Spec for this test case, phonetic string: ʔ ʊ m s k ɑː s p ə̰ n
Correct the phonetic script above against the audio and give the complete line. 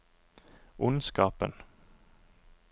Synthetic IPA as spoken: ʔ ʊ n s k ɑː p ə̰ n